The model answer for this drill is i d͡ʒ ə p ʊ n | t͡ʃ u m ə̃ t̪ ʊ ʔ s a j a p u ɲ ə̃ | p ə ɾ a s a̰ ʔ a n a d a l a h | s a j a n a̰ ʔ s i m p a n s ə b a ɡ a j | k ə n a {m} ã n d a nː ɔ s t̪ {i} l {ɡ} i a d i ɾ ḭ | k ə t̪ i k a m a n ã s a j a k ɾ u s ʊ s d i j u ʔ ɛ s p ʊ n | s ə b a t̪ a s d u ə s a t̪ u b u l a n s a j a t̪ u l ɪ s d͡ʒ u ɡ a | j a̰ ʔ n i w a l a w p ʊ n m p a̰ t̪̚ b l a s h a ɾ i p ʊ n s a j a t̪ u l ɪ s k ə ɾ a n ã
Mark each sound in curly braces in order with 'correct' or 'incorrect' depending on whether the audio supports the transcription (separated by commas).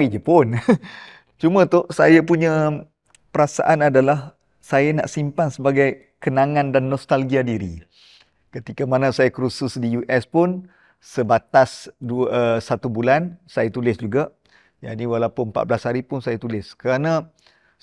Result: incorrect, incorrect, correct